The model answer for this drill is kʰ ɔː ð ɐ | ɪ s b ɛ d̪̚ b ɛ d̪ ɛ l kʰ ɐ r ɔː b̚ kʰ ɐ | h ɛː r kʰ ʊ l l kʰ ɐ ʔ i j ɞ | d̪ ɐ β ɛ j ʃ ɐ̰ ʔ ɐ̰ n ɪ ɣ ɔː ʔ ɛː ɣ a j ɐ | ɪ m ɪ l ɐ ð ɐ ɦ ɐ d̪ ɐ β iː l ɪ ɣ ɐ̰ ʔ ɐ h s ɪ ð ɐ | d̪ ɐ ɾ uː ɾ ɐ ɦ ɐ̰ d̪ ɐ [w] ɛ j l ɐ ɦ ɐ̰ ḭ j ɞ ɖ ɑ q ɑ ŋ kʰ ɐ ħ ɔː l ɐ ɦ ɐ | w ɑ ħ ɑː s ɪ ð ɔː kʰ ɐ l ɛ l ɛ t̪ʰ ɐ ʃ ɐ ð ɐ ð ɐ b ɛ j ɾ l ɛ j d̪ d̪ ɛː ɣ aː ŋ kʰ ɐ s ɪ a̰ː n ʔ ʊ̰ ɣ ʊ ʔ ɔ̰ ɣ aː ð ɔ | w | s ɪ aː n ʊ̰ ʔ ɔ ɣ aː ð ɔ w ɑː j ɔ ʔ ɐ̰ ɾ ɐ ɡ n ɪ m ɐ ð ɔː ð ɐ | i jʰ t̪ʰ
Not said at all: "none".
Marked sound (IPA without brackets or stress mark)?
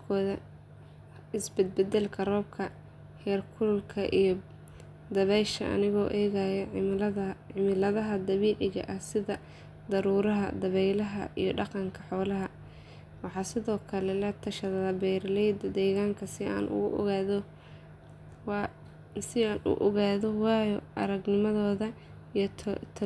β